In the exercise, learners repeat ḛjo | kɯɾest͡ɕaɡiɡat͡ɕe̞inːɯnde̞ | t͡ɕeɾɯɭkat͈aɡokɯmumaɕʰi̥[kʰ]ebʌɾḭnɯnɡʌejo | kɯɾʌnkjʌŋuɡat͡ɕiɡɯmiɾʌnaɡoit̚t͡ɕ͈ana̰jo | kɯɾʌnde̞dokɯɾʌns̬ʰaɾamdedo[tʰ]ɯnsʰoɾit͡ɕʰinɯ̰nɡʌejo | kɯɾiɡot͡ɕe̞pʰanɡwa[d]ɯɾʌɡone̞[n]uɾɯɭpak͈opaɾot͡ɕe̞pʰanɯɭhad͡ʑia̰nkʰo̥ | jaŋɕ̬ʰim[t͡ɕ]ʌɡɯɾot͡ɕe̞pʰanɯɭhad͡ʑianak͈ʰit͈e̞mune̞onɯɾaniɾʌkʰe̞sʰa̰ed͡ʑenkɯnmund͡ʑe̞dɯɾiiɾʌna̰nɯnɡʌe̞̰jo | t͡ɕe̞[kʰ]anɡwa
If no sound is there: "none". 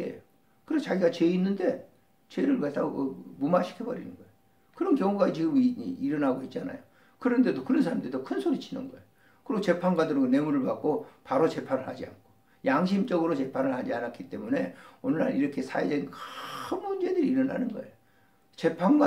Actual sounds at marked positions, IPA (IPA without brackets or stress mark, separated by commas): kʰ, kʰ, d, m, t͡ɕ, pʰ